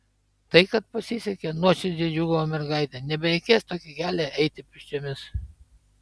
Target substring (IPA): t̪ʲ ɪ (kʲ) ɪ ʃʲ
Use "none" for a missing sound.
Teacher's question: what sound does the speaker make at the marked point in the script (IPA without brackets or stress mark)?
pʲ